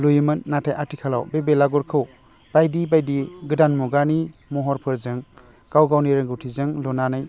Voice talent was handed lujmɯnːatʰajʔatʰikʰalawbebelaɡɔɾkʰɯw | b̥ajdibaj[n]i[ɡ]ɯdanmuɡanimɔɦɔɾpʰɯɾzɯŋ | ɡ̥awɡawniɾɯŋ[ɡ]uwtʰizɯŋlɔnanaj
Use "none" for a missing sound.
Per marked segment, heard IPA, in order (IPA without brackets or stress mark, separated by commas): d, ɡ, ɡ